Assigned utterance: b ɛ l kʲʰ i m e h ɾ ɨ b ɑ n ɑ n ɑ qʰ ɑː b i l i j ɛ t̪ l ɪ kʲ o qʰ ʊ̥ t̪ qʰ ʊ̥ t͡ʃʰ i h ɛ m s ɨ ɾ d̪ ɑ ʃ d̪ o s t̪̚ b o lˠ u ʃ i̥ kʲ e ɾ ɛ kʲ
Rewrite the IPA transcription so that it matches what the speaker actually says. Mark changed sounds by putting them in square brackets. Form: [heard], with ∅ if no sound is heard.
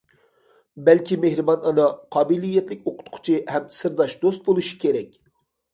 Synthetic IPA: b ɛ l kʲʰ i m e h ɾ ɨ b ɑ n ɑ n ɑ qʰ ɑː b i l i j ɛ t̪ l ɪ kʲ o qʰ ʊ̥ t̪ qʰ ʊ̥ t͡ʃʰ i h ɛ m s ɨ ɾ d̪ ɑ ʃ d̪ o s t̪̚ b o lˠ u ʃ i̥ kʲ e ɾ ɛ kʲ

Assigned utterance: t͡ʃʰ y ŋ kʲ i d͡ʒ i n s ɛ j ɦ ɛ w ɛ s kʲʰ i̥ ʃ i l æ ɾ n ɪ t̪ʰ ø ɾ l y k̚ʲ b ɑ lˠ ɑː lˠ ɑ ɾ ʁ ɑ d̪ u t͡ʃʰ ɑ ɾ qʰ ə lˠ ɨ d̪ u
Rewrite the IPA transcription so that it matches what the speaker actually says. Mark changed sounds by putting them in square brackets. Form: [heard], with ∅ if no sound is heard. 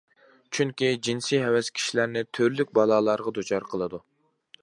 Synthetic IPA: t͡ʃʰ y ŋ kʲ i d͡ʒ i n s [i] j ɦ ɛ w ɛ s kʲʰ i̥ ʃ i l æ ɾ n ɪ t̪ʰ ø ɾ l y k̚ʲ b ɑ lˠ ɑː lˠ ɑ ɾ ʁ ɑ d̪ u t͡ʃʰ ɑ ɾ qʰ ə lˠ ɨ d̪ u

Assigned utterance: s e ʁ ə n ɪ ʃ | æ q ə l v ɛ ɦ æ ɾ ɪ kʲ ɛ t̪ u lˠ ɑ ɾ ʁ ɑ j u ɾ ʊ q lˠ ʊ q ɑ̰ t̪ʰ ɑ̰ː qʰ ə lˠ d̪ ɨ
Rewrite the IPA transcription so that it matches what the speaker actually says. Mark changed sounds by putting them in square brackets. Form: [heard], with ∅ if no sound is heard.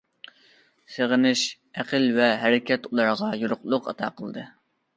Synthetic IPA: s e ʁ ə n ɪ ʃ | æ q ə l v ɛ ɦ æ ɾ ɪ kʲ ɛ t̪ u lˠ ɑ ɾ ʁ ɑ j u ɾ ʊ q lˠ ʊ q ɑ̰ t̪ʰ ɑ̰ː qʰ ə lˠ d̪ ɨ

